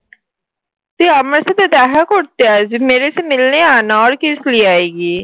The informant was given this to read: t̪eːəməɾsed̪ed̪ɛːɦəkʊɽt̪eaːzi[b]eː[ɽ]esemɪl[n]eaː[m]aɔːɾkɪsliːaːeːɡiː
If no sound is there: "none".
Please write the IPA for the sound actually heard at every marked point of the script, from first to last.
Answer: m, ɾ, n, n

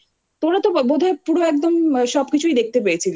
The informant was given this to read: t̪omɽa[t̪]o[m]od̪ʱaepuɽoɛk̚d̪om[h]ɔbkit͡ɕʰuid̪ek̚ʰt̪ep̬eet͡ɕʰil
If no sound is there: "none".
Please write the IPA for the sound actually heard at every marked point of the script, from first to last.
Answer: t̪, b, ʃ

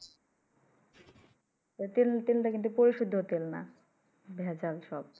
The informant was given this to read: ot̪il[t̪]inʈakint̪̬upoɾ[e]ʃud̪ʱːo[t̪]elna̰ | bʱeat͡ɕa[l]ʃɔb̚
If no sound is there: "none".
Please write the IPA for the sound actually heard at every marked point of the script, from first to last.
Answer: t̪, i, t̪, l

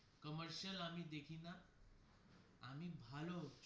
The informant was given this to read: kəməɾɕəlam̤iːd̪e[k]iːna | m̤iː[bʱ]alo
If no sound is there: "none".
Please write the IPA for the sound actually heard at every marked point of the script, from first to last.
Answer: kʰ, bʱ

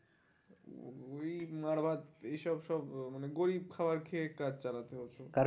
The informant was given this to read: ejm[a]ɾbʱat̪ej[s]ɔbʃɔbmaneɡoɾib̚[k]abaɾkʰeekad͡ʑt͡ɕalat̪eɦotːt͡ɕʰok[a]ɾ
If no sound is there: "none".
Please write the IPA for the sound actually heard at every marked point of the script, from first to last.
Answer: a, ʃ, kʰ, a

